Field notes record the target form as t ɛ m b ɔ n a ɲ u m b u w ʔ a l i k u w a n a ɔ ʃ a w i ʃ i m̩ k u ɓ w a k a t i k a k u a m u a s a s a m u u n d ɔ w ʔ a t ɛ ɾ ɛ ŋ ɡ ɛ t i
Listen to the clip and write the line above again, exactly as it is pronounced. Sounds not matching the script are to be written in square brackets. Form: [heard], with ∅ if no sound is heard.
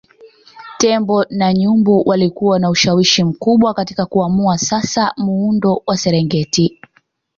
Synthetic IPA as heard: t ɛ m b ɔ n a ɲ u m b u w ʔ a l i k u w a n a [u] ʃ a w i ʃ i m̩ k u ɓ w a k a t i k a k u a m u a s a s a m u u n d ɔ w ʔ a [s] ɛ ɾ ɛ ŋ ɡ ɛ t i